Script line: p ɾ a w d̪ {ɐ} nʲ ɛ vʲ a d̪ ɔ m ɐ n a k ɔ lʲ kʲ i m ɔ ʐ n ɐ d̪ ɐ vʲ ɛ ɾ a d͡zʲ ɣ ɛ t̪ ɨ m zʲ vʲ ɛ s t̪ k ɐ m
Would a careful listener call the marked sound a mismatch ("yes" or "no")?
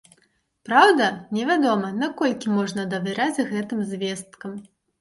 no